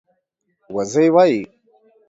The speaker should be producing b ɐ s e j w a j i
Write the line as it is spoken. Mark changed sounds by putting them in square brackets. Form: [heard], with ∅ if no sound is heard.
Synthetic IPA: [w] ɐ [z] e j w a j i